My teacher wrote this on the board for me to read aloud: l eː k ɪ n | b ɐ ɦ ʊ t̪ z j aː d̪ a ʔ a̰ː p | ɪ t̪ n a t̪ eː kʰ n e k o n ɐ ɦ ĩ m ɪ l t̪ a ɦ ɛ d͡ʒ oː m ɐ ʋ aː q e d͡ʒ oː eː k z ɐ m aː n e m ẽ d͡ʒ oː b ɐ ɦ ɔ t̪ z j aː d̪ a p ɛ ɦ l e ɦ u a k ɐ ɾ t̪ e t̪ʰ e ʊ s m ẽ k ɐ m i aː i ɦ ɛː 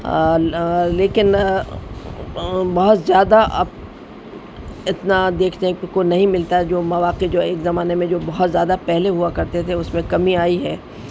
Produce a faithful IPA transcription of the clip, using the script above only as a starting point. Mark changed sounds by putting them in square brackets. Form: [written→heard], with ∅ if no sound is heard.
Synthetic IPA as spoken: l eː k ɪ n | b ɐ ɦ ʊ t̪ z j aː d̪ a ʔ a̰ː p | ɪ t̪ n a [t̪→d̪] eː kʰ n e k o n ɐ ɦ ĩ m ɪ l t̪ a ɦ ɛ d͡ʒ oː m ɐ ʋ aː q e d͡ʒ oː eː k z ɐ m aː n e m ẽ d͡ʒ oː b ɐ ɦ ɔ t̪ z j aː d̪ a p ɛ ɦ l e ɦ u a k ɐ ɾ t̪ e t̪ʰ e ʊ s m ẽ k ɐ m i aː i ɦ ɛː